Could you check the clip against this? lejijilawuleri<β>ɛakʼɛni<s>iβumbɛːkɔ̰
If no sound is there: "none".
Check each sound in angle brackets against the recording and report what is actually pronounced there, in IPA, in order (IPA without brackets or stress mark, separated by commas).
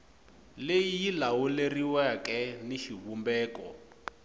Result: w, ʃ